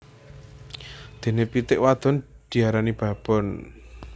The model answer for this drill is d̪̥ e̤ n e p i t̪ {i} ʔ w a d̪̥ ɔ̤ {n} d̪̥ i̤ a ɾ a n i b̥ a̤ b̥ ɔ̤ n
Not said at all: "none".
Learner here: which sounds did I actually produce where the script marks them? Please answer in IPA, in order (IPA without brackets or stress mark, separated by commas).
ɪ, n